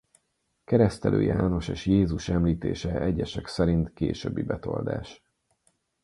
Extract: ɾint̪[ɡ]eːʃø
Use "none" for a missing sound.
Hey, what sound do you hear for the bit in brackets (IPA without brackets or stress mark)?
k